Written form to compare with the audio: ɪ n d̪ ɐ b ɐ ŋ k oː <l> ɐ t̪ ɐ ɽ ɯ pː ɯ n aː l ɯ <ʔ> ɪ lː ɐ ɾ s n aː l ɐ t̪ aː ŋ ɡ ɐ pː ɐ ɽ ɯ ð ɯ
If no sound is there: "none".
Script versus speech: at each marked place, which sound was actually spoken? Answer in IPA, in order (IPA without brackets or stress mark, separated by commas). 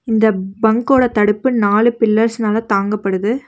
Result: ɽ, p